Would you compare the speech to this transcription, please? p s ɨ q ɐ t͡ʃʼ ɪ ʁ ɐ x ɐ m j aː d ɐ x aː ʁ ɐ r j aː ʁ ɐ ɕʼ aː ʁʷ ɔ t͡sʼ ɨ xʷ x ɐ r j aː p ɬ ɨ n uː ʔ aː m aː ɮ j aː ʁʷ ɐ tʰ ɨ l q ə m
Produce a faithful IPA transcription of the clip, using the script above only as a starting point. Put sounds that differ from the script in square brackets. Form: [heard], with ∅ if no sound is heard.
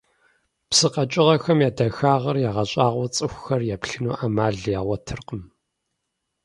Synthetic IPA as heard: p s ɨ q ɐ t͡ʃʼ ɪ ʁ ɐ x ɐ m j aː d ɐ x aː ʁ ɐ r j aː ʁ ɐ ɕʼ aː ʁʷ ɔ t͡sʼ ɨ xʷ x ɐ r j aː p ɬ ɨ n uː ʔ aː m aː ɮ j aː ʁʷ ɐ tʰ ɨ [r] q ə m

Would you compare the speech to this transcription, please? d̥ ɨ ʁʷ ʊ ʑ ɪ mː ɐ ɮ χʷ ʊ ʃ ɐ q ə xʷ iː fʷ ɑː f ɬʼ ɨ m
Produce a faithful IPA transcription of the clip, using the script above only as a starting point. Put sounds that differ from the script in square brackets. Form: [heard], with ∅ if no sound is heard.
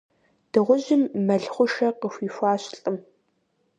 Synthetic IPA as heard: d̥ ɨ ʁʷ ʊ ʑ ɪ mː ɐ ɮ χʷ ʊ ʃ ɐ q ə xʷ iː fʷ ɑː [ɕ] ɬʼ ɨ m

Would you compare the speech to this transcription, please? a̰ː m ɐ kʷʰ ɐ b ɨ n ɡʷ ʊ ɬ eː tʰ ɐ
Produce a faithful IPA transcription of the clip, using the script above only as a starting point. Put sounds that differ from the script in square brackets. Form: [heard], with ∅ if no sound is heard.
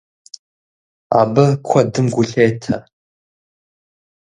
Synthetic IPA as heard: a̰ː [b] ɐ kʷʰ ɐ [d] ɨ [m] ɡʷ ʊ ɬ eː tʰ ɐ

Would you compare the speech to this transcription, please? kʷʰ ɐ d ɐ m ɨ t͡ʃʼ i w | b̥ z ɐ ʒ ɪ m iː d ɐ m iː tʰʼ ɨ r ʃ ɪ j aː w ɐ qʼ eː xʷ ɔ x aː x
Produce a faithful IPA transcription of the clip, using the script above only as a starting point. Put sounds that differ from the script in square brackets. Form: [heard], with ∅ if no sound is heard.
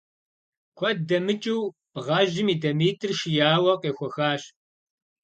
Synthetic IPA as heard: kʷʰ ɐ d ɐ m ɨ t͡ʃʼ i w | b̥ [ʁ] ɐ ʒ ɪ m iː d ɐ m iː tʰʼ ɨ r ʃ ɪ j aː w ɐ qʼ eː xʷ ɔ x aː [ɕ]

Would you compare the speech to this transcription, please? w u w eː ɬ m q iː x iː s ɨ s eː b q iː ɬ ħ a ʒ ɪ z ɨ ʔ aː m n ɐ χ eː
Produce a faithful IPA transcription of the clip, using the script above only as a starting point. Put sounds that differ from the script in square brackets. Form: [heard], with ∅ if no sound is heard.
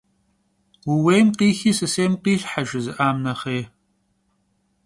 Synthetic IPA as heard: w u w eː [∅] m q iː x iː s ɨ s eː [m] q iː ɬ ħ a ʒ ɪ z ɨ ʔ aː m n ɐ χ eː

